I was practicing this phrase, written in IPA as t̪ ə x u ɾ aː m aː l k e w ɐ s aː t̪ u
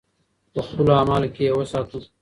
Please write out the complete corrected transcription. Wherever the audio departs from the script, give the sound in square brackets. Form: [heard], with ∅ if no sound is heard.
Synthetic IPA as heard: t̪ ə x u [l] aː m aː l k e w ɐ s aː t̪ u